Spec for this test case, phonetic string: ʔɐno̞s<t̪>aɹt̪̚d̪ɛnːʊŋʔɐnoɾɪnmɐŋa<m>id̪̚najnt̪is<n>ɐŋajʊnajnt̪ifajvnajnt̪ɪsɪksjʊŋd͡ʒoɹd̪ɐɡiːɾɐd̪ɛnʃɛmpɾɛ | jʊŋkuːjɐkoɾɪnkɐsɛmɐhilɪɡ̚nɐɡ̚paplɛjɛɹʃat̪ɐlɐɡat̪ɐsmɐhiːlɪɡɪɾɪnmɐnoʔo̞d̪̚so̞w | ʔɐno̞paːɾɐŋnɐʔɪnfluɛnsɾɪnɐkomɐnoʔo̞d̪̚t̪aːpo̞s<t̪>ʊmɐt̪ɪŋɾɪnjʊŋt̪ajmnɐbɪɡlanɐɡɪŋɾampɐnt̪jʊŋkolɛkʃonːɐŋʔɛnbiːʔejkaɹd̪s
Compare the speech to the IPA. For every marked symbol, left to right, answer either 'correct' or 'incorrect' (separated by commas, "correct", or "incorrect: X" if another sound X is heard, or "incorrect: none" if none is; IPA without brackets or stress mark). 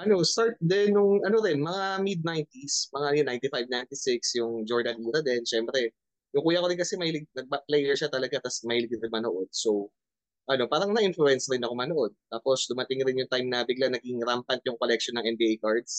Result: correct, correct, incorrect: m, incorrect: d̪